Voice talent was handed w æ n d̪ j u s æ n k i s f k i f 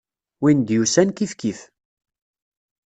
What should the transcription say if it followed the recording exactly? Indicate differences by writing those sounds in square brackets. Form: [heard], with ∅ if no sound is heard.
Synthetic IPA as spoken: w [i] n d̪ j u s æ n k i [∅] f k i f